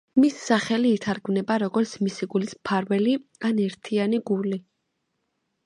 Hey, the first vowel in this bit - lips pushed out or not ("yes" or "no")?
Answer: no